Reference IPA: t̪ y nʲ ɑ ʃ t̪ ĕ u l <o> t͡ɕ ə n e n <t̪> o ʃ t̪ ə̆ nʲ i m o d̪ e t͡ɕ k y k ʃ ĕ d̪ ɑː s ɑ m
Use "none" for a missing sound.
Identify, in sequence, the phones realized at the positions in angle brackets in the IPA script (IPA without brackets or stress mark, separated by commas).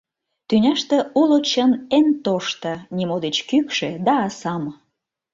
o, t̪